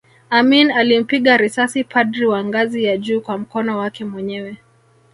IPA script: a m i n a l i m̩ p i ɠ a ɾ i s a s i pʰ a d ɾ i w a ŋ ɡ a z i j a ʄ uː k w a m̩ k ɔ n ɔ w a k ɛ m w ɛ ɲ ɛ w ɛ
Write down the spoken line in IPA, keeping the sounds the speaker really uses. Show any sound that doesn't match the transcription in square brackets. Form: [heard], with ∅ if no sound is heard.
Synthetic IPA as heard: a m i n a l i m̩ p i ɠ a ɾ i s a s i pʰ a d ɾ i w a ŋ ɡ a z i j a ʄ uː k w a m̩ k ɔ n ɔ w a k ɛ m w ɛ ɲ ɛ w ɛ